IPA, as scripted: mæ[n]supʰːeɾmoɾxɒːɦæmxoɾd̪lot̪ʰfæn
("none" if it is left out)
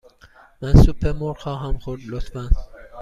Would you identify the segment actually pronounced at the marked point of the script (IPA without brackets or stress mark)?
n